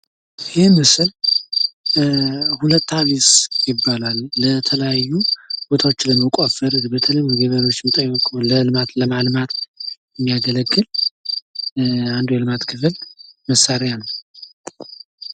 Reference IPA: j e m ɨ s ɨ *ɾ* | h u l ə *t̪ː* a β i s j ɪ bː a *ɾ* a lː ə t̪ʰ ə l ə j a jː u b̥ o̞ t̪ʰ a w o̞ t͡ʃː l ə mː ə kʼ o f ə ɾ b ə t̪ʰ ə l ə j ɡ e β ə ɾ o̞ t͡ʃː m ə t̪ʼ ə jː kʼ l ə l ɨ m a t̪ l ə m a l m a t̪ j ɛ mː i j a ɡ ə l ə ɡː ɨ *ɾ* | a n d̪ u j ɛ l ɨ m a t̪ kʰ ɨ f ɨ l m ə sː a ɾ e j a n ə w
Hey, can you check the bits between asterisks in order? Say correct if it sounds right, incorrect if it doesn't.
incorrect, correct, incorrect, incorrect

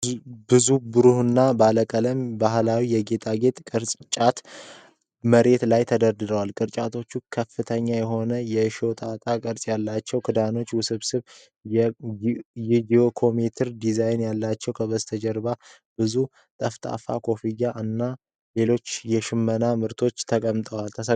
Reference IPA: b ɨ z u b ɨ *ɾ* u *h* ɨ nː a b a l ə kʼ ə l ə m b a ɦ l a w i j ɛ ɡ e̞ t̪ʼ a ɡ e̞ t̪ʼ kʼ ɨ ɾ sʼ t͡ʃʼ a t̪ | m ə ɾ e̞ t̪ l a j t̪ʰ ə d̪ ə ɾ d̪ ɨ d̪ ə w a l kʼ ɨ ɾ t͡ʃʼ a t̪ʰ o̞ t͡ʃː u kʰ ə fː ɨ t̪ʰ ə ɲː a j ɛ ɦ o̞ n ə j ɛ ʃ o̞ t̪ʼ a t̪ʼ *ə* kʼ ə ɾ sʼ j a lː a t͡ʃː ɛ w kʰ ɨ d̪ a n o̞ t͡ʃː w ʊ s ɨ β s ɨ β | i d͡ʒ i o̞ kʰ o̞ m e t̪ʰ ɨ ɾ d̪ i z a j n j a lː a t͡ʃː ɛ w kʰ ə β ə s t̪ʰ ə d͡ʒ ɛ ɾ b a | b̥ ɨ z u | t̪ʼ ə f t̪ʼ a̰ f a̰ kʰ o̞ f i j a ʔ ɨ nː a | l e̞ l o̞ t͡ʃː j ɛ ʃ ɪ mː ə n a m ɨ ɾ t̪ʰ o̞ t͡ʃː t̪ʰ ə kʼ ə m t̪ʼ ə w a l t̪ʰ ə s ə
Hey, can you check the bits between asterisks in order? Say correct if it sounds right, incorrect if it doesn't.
correct, correct, incorrect

